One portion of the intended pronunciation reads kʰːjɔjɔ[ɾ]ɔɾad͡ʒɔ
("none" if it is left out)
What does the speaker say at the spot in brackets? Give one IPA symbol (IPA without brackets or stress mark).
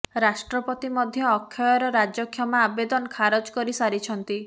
ɾ